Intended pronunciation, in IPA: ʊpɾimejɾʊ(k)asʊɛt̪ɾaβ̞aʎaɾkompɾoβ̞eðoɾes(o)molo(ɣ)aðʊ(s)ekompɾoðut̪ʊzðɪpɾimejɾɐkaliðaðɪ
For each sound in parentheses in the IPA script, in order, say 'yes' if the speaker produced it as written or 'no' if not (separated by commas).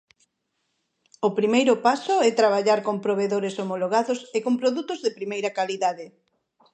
no, yes, yes, yes